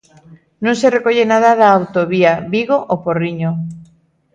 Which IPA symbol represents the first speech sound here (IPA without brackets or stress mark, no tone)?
n